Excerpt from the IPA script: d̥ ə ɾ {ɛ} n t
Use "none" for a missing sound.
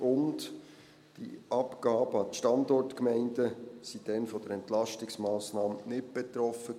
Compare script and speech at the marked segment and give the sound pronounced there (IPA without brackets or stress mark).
ɛ